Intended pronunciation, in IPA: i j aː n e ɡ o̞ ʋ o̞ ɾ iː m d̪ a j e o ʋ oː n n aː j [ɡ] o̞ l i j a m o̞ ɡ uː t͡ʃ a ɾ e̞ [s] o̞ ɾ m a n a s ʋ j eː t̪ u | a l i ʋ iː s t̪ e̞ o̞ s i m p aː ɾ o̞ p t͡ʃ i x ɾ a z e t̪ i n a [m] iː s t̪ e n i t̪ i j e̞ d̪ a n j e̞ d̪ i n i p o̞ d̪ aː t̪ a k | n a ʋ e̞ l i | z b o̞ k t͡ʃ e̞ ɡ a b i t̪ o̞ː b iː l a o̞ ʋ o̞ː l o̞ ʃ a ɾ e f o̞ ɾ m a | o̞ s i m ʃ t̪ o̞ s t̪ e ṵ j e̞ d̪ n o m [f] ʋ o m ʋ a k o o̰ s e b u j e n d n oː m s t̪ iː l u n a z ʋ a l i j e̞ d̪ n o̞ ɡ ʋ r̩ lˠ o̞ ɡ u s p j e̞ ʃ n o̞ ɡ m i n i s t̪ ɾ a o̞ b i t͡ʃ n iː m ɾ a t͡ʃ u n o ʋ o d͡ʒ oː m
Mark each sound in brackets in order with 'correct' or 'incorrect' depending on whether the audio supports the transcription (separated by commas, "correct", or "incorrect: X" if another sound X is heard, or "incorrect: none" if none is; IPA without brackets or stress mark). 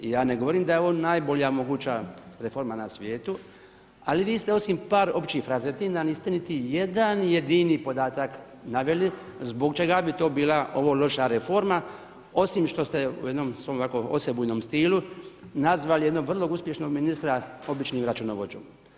incorrect: b, incorrect: f, incorrect: n, incorrect: s